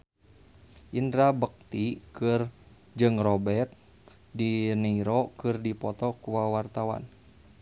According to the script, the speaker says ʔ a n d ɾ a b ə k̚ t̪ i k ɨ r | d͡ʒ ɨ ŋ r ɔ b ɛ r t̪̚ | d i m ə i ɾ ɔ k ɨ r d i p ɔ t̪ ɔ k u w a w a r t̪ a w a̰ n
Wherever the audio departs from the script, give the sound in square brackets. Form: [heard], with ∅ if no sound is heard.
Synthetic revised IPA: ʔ [i] n d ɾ a b ə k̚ t̪ i k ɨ r | d͡ʒ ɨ ŋ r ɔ b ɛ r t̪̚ | d i [n] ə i ɾ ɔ k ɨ r d i p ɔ t̪ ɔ k u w a w a r t̪ a w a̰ n